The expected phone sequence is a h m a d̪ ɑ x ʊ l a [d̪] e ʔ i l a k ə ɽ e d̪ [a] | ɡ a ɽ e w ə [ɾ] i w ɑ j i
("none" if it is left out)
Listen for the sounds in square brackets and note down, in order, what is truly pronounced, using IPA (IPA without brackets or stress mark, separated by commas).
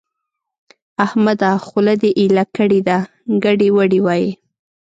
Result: d̪, a, ɽ